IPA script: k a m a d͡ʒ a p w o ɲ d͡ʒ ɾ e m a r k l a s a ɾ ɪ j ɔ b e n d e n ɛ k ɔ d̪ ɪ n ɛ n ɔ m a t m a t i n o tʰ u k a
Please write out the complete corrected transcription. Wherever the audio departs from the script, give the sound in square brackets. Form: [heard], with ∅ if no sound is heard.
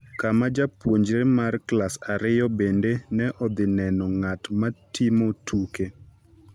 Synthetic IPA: k a m a d͡ʒ a p w o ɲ d͡ʒ ɾ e m a r k l a s a ɾ ɪ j ɔ b e n d e n ɛ [ʔ] ɔ d̪ ɪ n ɛ n ɔ [ŋ] a t m a t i [m] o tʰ u k [e]